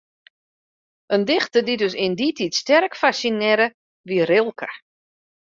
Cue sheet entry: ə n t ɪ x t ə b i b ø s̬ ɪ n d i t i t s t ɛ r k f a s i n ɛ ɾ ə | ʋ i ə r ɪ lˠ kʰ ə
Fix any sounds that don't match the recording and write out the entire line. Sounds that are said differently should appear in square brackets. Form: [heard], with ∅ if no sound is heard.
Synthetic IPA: ə n [d] ɪ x t ə [d] i [d] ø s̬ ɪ n d i t i t s t ɛ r k f a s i n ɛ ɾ ə | ʋ i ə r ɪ lˠ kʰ ə